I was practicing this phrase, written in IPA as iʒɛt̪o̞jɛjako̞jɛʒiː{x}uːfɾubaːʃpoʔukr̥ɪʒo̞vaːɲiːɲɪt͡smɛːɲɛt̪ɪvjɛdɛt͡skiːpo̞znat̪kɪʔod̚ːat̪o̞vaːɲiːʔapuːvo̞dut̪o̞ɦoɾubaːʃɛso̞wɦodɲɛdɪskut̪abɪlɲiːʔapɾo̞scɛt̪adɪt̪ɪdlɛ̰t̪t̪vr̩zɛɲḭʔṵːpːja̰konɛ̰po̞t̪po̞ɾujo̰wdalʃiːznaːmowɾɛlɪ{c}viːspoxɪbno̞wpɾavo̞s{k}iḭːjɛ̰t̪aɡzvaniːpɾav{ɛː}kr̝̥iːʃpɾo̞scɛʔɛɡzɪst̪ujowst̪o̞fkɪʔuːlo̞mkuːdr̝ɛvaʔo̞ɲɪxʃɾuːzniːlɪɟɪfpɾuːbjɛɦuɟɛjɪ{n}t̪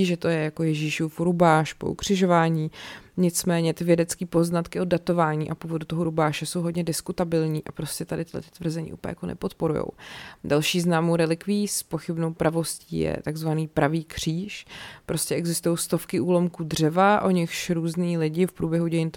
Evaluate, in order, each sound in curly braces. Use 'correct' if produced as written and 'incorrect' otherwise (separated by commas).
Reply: incorrect, incorrect, incorrect, incorrect, correct